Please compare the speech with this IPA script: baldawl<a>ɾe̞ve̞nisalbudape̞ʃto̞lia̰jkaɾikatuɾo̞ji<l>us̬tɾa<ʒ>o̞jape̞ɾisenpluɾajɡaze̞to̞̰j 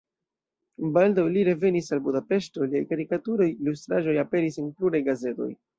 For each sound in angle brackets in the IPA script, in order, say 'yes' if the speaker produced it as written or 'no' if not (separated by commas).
no, yes, yes